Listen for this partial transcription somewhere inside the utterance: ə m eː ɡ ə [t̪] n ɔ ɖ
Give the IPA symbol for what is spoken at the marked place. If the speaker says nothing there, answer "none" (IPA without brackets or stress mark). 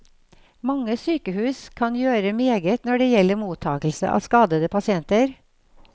t̪